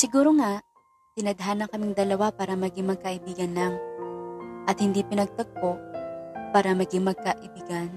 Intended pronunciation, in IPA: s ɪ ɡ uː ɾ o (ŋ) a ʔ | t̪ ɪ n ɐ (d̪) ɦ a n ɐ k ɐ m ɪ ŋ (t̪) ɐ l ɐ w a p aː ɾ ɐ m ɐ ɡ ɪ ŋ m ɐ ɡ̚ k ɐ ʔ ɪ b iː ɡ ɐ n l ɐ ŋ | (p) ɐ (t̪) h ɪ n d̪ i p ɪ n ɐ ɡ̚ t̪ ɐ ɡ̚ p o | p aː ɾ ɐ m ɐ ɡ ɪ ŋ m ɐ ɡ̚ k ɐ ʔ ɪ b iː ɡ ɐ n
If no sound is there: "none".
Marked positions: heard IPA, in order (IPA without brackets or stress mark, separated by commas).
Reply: ŋ, d̪, d̪, ʔ, t̪